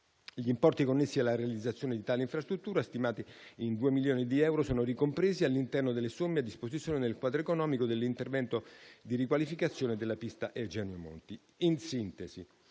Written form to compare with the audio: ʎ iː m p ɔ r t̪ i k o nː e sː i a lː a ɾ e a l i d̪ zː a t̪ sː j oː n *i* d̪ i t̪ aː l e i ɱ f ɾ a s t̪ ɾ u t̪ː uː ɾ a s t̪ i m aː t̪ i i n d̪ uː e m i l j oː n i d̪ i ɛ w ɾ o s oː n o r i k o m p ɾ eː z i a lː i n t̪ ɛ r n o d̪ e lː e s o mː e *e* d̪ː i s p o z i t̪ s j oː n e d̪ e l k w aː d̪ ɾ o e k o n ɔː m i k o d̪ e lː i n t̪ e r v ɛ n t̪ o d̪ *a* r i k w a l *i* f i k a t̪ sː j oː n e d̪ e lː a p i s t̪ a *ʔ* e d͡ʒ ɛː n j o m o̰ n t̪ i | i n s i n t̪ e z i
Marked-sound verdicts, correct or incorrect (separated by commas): incorrect, incorrect, incorrect, correct, correct